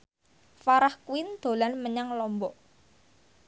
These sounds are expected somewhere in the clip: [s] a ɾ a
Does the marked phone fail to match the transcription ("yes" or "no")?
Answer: yes